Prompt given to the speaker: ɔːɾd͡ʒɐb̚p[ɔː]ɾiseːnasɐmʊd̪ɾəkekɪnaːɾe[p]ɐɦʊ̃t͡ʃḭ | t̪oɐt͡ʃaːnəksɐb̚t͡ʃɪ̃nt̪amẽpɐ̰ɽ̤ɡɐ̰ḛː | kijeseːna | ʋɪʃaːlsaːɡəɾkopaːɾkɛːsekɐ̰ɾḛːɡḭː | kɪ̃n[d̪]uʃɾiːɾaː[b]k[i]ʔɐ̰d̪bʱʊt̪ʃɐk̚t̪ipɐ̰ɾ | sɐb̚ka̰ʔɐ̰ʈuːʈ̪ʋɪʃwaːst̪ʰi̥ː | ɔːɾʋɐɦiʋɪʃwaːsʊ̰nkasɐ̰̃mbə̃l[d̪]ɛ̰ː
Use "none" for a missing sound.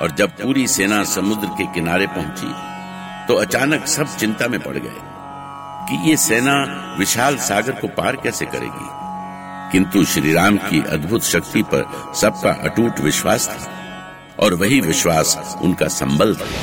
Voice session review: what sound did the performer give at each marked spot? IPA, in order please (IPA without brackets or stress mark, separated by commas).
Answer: uː, p, t̪, m, i, d̪